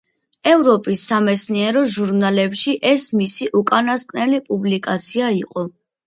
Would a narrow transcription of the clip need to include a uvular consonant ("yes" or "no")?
yes